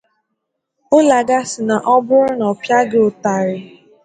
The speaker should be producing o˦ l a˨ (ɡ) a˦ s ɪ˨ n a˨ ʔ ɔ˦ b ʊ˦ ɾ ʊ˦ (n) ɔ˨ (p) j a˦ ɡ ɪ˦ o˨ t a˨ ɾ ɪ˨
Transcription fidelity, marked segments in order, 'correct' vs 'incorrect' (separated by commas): correct, correct, correct